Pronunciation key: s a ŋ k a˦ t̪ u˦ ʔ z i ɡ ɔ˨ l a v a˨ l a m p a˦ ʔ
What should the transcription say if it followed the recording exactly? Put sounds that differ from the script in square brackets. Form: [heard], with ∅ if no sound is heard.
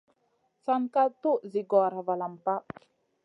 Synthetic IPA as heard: s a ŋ k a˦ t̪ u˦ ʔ z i ɡ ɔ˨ [ɾ] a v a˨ l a m p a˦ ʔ